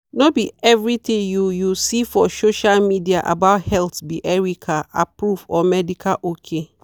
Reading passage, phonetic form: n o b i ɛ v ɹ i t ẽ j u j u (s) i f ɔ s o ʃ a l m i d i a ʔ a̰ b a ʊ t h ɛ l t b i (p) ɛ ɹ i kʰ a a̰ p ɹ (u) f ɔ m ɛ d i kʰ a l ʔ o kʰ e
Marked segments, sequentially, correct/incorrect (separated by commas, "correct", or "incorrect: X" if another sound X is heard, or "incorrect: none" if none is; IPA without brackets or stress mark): correct, incorrect: ʔ, correct